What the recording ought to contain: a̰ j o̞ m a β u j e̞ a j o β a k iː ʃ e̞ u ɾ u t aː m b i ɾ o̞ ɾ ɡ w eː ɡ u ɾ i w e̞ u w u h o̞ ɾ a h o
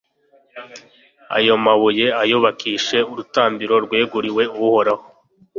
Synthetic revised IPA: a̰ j o̞ m a β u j e̞ a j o β a k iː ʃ e̞ u ɾ u t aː m b i ɾ o̞ ɾ ɡ w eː ɡ u ɾ i w e̞ u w u h o̞ ɾ a h o